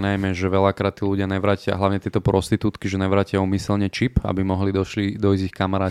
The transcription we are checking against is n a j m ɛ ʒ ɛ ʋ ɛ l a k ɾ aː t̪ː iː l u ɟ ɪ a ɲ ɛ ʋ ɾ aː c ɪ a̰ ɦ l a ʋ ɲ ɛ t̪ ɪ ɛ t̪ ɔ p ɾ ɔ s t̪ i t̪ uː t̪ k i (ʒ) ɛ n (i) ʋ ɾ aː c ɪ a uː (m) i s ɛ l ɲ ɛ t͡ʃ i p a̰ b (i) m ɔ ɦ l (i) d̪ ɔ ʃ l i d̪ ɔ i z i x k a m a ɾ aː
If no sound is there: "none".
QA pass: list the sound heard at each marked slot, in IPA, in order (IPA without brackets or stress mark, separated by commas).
ʒ, ɛ, m, i, i